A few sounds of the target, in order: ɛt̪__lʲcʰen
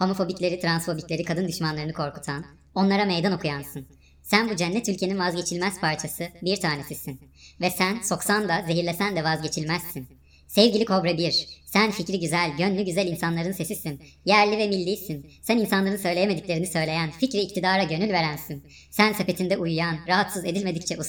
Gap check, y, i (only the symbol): y